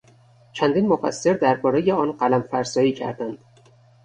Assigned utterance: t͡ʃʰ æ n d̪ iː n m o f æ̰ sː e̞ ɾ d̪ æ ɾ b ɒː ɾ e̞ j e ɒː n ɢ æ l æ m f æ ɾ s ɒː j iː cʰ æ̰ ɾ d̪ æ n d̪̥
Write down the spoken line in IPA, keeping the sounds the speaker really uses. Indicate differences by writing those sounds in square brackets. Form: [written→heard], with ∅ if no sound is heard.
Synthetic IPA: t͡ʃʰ æ n d̪ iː n m o f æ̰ sː e̞ ɾ d̪ æ ɾ b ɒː ɾ e̞ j e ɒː n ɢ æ l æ m f æ ɾ s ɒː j iː cʰ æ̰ ɾ d̪ æ n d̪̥